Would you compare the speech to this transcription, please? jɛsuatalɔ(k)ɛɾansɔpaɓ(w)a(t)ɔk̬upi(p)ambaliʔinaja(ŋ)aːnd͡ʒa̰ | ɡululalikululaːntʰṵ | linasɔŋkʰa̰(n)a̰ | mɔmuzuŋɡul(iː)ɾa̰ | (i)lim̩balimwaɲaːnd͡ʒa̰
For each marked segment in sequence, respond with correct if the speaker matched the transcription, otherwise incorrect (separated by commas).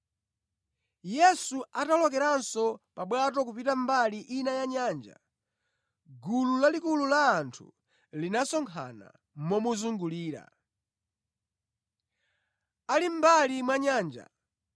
correct, correct, correct, incorrect, incorrect, correct, correct, incorrect